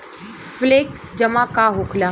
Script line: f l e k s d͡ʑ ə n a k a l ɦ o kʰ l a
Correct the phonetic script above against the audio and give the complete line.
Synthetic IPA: f l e k s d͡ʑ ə m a k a ɦ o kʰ l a